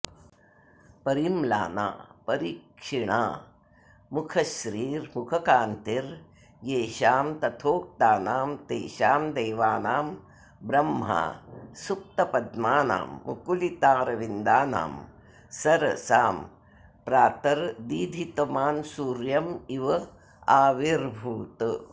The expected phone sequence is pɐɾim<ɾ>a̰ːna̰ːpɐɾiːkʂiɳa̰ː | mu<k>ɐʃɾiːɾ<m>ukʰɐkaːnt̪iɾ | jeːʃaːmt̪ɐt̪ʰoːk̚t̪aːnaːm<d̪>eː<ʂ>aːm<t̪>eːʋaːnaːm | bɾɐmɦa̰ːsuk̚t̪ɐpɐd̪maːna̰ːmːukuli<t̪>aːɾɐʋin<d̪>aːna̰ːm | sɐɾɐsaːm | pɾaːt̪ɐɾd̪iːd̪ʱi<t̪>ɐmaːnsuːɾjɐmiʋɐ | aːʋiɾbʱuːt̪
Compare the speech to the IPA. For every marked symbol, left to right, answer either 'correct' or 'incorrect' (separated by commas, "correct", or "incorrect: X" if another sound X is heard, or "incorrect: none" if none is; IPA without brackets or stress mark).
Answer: incorrect: l, incorrect: kʰ, correct, incorrect: t̪, incorrect: ʃ, incorrect: d̪, correct, correct, correct